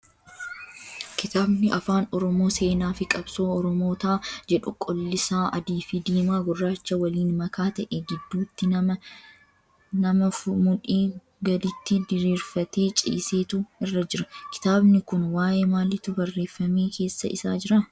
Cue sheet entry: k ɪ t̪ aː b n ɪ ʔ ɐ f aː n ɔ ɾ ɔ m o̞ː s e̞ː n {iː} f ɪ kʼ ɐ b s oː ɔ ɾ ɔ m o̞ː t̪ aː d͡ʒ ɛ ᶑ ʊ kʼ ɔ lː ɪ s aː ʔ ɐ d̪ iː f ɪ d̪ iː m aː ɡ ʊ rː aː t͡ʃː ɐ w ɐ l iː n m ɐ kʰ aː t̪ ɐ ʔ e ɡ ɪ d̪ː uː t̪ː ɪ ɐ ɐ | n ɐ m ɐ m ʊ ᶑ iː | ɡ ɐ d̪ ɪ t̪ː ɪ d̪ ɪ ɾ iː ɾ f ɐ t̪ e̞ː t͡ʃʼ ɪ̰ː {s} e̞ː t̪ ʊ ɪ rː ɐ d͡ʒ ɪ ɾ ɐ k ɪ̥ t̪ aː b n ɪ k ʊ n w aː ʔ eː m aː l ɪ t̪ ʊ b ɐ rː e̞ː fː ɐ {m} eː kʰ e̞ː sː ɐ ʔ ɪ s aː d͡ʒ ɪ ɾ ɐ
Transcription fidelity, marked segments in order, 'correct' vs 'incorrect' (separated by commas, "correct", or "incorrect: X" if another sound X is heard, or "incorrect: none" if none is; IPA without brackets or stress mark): incorrect: aː, correct, correct